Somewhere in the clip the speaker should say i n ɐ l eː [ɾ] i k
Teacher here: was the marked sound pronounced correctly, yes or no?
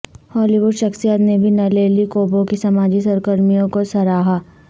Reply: no